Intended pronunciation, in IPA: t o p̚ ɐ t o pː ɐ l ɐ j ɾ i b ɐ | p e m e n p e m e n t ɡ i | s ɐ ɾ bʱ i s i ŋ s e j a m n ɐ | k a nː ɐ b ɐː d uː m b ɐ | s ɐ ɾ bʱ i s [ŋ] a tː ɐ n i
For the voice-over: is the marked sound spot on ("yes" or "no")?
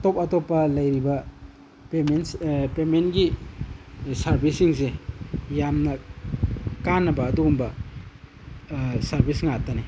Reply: yes